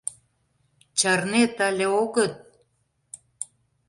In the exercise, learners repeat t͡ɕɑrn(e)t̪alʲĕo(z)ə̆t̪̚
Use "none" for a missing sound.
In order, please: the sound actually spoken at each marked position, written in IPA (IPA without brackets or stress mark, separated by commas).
e, ɣ